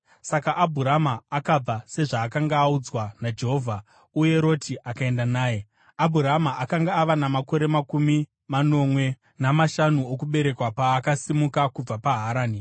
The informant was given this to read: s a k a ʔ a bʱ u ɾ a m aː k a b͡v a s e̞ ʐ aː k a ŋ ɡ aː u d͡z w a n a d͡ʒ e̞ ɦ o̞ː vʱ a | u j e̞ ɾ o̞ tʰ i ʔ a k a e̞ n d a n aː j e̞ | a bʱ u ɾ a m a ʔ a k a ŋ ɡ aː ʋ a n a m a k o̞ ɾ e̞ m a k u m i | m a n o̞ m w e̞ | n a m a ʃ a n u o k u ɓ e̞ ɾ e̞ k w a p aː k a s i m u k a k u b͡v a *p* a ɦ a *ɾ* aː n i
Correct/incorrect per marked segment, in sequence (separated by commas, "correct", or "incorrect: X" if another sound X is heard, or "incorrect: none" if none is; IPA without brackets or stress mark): correct, correct